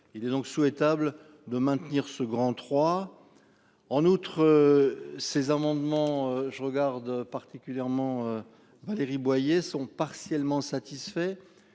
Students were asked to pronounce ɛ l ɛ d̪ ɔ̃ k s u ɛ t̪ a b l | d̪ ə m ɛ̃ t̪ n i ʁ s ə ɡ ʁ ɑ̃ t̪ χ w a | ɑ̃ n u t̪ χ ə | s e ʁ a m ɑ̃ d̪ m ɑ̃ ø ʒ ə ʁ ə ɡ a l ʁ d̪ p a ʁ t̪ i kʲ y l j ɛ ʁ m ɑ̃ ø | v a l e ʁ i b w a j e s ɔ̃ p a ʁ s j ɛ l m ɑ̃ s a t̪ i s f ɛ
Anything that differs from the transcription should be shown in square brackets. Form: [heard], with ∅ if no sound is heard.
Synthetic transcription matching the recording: [i] l ɛ d̪ ɔ̃ k s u ɛ t̪ a b l | d̪ ə m ɛ̃ t̪ n i ʁ s ə ɡ ʁ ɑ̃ t̪ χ w a | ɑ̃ n u t̪ χ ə | s e [z] a m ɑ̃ d̪ m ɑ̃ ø ʒ ə ʁ ə ɡ a [∅] ʁ d̪ p a ʁ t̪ i kʲ y l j ɛ ʁ m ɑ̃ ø | v a l e ʁ i b w a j e s ɔ̃ p a ʁ s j ɛ l m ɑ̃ s a t̪ i s f ɛ